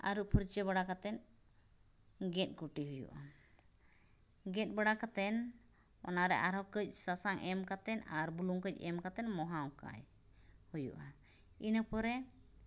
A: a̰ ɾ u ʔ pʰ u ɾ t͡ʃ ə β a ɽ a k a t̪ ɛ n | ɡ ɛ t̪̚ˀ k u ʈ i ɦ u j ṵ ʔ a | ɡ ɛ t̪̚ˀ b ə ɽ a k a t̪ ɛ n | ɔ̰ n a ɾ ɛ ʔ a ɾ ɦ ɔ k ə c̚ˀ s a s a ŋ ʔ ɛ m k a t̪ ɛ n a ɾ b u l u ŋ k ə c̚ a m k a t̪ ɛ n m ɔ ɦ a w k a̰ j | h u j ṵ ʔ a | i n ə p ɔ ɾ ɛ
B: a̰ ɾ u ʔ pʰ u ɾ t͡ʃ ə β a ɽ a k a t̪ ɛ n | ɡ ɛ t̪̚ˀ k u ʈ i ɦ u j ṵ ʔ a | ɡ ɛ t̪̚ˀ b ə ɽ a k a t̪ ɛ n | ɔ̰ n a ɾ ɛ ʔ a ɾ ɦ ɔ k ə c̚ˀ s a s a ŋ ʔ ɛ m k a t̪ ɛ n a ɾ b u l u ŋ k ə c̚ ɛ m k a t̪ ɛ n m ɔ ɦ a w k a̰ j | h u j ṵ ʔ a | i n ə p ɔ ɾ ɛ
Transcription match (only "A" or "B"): B